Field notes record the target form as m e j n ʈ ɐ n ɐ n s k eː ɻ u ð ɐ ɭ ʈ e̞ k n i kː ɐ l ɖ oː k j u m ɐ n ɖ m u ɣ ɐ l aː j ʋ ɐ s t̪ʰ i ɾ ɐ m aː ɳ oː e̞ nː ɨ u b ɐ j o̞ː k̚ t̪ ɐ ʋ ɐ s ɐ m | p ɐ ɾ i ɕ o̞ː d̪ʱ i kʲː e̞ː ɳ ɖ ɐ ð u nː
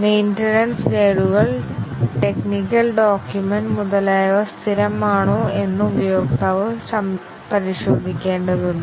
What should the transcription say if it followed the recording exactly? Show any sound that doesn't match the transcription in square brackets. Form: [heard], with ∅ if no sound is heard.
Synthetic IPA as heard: m e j n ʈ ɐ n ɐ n s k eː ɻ u [ɣ] ɐ ɭ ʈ e̞ k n i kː ɐ l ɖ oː k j u m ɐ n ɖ m u [ð] ɐ l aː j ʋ ɐ s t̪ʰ i ɾ ɐ m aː ɳ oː e̞ nː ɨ u b ɐ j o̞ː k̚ t̪ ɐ ʋ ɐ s ɐ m | p ɐ ɾ i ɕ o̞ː d̪ʱ i kʲː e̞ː ɳ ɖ ɐ ð u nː